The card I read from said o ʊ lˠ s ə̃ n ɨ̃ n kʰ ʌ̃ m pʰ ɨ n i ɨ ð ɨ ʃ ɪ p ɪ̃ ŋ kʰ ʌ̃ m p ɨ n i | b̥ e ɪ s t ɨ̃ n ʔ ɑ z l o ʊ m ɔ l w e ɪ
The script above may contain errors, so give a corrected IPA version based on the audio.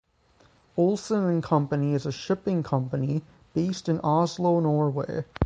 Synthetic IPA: o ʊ lˠ s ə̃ n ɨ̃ n kʰ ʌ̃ m p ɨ n i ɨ z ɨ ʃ ɪ p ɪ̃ ŋ kʰ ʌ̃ m p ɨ n i | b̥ e ɪ s t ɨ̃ n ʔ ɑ z l o ʊ n ɔ ɹ w e ɪ